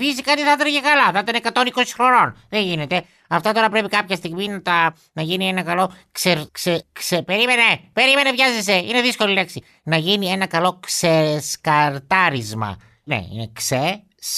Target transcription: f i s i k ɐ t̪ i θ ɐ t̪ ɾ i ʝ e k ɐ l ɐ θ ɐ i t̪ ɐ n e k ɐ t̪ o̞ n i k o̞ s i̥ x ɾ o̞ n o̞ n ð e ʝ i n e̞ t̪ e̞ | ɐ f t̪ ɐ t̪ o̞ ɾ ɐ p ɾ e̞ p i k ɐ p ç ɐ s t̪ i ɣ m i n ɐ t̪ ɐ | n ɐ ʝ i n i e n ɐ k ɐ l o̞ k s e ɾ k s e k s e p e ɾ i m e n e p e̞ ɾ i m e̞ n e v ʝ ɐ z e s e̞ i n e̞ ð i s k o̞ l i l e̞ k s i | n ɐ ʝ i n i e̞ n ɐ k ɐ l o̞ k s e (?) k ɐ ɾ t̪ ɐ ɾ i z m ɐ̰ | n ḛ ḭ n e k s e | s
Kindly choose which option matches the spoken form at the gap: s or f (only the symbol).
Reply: s